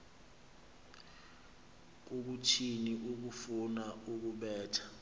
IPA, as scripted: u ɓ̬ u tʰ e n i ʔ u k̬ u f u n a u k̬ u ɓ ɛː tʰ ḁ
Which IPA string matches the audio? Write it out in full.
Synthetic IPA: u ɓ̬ u tʰ i n i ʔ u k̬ u f u n a u k̬ u ɓ ɛː tʰ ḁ